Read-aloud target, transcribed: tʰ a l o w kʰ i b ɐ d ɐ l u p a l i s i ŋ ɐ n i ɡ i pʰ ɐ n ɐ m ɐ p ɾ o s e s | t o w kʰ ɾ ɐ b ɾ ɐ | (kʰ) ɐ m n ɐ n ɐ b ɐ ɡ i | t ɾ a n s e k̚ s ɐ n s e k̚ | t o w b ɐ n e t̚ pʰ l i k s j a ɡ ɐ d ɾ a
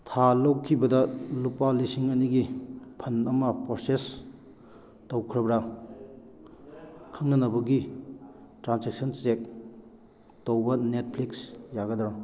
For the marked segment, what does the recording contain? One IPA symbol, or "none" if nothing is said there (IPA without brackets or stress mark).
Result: kʰ